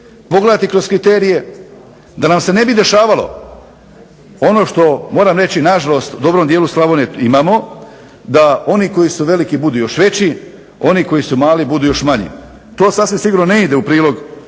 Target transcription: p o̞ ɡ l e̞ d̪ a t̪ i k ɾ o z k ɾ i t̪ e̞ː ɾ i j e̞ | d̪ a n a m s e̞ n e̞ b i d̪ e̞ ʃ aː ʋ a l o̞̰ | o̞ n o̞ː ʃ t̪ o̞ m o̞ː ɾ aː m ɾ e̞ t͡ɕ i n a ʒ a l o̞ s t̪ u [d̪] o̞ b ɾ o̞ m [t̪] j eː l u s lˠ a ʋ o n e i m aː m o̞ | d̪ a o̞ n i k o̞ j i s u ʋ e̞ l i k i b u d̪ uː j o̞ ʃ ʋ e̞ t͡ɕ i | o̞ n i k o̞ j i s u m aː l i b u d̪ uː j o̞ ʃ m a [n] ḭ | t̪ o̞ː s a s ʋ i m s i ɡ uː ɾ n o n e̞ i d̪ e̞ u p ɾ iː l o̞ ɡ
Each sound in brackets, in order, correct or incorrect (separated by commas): correct, incorrect, incorrect